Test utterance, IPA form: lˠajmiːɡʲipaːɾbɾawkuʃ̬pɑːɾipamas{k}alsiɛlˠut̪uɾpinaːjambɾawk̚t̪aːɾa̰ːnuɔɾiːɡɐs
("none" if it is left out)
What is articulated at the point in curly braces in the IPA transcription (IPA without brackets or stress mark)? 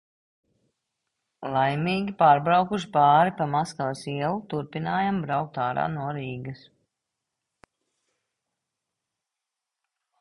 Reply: k